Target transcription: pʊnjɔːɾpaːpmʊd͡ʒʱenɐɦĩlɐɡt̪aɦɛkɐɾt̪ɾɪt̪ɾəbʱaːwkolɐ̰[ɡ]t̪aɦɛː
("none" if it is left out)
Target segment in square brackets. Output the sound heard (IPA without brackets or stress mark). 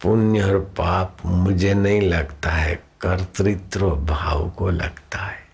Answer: ɡ